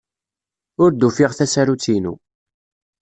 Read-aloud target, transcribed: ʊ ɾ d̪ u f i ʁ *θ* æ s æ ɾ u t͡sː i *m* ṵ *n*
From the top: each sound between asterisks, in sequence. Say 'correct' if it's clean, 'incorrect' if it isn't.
correct, incorrect, incorrect

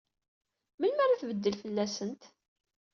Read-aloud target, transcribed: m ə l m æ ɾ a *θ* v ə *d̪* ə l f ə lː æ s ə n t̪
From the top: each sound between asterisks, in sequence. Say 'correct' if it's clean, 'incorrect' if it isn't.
correct, incorrect

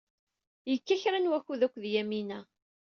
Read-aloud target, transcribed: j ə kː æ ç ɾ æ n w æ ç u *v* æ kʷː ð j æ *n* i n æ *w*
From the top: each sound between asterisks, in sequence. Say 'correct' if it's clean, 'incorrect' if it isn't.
incorrect, incorrect, incorrect

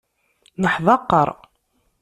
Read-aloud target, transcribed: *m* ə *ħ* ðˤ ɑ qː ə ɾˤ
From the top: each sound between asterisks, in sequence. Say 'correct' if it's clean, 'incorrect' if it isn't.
incorrect, correct

